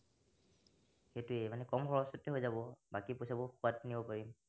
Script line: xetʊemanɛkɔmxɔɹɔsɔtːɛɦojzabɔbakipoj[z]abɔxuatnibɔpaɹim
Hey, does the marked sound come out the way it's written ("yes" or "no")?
no